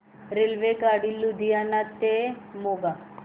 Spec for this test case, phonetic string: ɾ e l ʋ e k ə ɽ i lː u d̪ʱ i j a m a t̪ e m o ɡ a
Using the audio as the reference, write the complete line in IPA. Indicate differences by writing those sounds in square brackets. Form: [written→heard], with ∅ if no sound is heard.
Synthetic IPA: ɾ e l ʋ e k [ə→a] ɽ i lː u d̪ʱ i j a [m→n] a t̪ e m o ɡ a